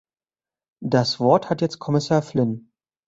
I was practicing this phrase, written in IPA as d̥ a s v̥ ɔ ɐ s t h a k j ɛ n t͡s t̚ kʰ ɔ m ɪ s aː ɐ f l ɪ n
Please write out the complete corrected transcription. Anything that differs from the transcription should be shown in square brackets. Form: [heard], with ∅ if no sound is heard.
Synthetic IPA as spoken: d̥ a s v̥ ɔ ɐ [∅] t h a [t] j ɛ [∅] t͡s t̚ kʰ ɔ m ɪ s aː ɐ f l ɪ n